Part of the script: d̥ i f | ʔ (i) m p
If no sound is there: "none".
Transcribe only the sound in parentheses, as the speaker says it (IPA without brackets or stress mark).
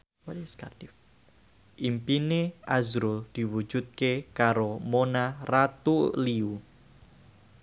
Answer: i